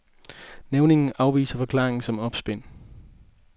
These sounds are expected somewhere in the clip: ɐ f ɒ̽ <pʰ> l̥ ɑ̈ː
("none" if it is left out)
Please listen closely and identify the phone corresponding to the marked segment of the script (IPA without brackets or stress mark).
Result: kʰ